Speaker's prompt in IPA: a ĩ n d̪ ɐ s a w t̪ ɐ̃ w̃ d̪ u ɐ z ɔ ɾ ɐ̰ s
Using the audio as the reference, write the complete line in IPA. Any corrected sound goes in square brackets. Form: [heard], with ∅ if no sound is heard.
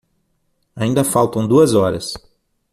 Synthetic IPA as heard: a ĩ n d̪ ɐ [f] a w t̪ ɐ̃ w̃ d̪ u ɐ z ɔ ɾ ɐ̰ s